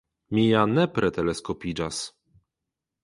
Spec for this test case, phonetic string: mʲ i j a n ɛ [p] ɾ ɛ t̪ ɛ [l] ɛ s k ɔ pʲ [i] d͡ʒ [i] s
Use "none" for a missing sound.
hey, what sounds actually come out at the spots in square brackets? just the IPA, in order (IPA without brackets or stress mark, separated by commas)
p, l, i, a